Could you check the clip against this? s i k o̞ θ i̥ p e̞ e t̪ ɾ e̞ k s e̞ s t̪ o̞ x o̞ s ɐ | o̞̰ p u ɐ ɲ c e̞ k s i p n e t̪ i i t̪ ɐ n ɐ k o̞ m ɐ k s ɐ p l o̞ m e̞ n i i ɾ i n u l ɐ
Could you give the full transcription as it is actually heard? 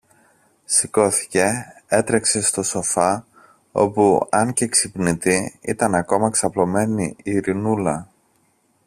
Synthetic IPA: s i k o̞ θ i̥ c e̞ e t̪ ɾ e̞ k s e̞ s t̪ o̞ s o̞ f ɐ | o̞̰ p u ɐ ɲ c e̞ k s i p n i t̪ i i t̪ ɐ n ɐ k o̞ m ɐ k s ɐ p l o̞ m e̞ n i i ɾ i n u l ɐ